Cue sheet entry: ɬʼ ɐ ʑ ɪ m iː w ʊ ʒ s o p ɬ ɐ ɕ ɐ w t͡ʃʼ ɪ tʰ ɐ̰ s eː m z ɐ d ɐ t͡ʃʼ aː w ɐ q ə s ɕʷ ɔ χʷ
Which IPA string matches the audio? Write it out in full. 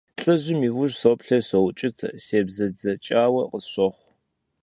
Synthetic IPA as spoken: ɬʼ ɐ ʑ ɪ m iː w ʊ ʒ s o p ɬ ɐ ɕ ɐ w t͡ʃʼ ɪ tʰ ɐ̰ s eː b z ɐ d͡z ɐ t͡ʃʼ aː w ɐ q ə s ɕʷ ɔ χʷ